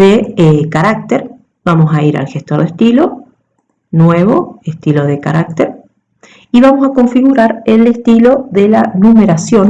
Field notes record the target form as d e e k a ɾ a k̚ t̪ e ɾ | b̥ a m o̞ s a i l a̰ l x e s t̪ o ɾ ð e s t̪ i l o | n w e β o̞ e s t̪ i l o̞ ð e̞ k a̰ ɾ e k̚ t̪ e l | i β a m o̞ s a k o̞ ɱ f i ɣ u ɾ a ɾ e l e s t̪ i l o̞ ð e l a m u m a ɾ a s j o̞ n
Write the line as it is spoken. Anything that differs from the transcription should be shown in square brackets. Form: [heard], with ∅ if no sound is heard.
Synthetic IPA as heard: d e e k a ɾ a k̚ t̪ e ɾ | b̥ a m o̞ s a i [ɾ] a̰ l x e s t̪ o ɾ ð e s t̪ i l o | n w e β o̞ e s t̪ i l o̞ ð e̞ k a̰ ɾ [a] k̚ t̪ e [ɾ] | i β a m o̞ s a k o̞ ɱ f i ɣ u ɾ a ɾ e l e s t̪ i l o̞ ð e l a [n] u m [e] ɾ a s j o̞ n